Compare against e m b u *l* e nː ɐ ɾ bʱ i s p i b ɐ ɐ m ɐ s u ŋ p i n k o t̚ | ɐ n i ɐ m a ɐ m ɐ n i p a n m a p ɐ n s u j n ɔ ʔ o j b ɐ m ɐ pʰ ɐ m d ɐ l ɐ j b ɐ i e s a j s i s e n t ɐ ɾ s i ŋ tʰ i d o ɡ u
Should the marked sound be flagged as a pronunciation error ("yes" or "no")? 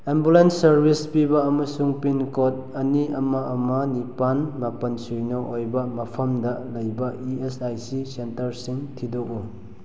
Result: no